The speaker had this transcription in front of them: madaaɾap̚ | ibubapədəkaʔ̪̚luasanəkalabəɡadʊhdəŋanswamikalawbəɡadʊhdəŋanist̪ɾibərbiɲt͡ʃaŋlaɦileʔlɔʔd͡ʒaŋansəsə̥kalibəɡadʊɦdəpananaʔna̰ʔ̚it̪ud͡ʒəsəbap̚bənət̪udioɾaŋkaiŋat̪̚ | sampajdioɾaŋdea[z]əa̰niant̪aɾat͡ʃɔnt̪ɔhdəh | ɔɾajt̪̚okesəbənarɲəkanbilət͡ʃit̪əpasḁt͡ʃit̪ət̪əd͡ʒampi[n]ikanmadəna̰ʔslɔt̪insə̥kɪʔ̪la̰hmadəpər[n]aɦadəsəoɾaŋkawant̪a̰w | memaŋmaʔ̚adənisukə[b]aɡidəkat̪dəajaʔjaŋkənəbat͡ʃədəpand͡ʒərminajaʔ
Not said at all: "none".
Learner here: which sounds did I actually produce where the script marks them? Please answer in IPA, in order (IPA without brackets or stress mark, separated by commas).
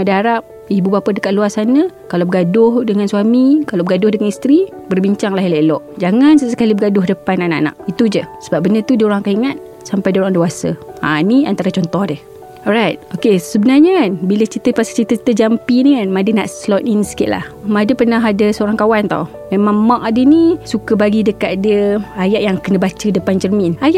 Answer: s, n, n, b